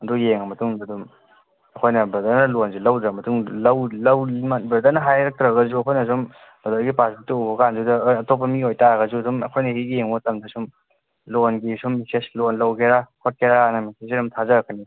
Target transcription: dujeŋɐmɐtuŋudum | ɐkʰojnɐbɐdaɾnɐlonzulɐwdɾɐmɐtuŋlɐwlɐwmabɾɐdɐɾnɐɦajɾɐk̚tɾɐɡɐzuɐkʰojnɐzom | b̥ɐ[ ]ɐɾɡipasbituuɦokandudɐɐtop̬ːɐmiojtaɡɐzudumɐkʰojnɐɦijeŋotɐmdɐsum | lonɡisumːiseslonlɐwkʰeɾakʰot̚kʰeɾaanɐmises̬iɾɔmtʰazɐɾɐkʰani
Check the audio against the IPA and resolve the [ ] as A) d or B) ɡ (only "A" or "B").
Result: A